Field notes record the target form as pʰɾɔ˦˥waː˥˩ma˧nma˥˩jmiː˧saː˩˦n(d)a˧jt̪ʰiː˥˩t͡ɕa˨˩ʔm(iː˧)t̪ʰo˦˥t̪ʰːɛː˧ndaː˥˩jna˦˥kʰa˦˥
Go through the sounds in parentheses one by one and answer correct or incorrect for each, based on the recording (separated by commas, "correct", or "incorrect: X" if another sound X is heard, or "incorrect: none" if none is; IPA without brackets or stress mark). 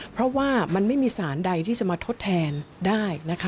correct, incorrect: aː˧